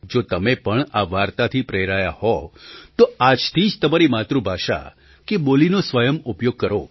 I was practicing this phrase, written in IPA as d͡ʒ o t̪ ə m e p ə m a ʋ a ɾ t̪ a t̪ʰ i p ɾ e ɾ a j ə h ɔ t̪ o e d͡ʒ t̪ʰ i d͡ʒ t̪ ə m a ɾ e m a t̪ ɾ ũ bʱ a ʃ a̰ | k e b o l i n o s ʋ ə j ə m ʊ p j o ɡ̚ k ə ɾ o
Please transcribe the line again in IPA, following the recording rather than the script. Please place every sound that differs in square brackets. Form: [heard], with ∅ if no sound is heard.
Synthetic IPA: d͡ʒ o t̪ ə m e p ə [ɳ] a ʋ a ɾ t̪ a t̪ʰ i p ɾ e ɾ a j [a] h ɔ t̪ o [a] d͡ʒ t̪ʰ i d͡ʒ t̪ ə m a ɾ [i] m a t̪ ɾ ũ bʱ a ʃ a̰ | k e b o l i n o s ʋ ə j ə m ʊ p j o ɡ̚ k ə ɾ o